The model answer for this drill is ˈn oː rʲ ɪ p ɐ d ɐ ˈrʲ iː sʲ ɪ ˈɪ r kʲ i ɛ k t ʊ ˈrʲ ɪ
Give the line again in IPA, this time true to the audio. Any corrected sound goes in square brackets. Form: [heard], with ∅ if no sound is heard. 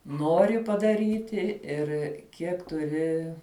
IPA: ˈn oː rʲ ɪ p ɐ d ɐ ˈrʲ iː [tʲ] ɪ ˈɪ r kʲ i ɛ k t ʊ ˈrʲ ɪ